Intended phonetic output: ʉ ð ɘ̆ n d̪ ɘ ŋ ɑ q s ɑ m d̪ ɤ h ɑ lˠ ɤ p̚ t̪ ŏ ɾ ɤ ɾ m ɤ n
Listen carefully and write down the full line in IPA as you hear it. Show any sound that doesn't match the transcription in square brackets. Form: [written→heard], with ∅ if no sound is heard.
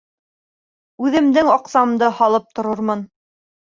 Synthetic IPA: ʉ ð ɘ̆ [n→m] d̪ ɘ ŋ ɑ q s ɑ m d̪ ɤ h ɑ lˠ ɤ p̚ t̪ ŏ ɾ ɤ ɾ m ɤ n